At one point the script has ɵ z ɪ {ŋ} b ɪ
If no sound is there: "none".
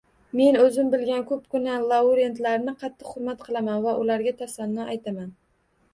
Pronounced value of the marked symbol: m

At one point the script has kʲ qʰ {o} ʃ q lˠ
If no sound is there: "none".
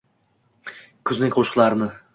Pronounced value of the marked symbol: o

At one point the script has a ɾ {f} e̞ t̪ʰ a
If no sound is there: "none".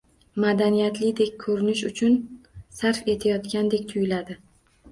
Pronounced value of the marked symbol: f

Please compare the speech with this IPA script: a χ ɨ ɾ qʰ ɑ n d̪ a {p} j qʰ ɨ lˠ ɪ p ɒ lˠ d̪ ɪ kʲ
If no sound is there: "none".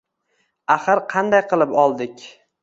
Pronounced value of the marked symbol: none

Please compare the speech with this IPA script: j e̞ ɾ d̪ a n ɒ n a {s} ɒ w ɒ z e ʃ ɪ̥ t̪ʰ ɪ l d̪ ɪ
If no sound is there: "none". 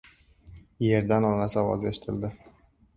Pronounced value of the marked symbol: s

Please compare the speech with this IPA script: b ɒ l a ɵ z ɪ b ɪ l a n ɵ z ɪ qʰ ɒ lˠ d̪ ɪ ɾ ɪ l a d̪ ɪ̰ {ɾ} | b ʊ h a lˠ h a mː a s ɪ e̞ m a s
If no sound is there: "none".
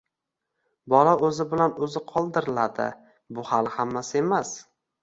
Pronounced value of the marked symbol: none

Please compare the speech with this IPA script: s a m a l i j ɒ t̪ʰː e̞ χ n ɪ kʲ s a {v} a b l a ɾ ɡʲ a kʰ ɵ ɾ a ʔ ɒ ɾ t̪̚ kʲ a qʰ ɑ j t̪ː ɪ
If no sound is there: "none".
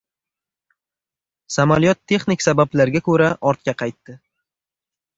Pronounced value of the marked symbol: b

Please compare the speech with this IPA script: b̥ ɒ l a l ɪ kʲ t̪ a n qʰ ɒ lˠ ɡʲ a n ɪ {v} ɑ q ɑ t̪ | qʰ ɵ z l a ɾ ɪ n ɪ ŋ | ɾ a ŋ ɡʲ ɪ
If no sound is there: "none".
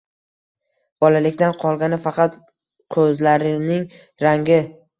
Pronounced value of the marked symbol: f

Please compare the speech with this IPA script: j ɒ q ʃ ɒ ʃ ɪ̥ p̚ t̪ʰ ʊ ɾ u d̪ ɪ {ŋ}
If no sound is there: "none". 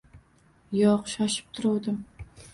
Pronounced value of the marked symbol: m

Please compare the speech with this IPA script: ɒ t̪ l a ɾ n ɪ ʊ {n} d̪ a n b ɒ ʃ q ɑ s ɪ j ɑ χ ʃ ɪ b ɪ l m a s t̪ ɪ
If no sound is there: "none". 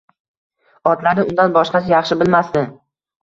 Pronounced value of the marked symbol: n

